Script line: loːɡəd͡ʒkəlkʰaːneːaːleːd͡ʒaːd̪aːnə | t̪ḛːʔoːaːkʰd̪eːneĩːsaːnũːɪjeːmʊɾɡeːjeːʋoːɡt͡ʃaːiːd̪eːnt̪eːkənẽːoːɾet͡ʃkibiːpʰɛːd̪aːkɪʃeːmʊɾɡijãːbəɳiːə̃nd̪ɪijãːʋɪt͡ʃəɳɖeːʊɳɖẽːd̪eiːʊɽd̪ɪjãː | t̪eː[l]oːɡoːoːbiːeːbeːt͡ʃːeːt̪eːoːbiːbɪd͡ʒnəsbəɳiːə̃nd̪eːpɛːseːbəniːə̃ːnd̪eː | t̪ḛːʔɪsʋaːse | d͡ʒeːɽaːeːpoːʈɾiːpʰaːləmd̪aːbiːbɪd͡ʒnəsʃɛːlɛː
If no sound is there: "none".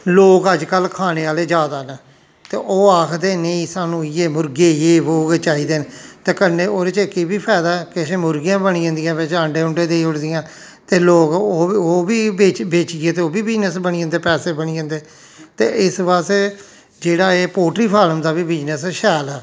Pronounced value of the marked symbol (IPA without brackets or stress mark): l